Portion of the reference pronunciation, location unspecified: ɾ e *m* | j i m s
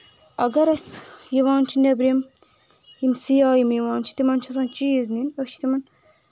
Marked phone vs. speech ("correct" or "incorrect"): correct